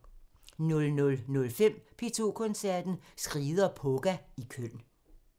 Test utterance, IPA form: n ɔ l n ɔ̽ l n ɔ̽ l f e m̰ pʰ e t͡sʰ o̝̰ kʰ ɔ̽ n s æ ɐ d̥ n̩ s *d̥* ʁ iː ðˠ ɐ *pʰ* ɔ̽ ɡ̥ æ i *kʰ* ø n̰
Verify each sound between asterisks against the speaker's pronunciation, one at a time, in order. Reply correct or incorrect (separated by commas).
incorrect, correct, correct